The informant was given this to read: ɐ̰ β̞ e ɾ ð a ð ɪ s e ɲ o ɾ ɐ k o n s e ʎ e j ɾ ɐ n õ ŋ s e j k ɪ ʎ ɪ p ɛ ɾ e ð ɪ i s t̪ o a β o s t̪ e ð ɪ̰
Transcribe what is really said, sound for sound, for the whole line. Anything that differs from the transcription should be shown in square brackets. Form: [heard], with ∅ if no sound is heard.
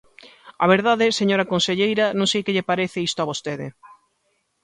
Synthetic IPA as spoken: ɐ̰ β̞ e ɾ ð a ð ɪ s e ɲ o ɾ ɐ k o n s e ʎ e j ɾ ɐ n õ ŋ s e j k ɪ ʎ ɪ p [a] ɾ e [θ] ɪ i s t̪ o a β o s t̪ e ð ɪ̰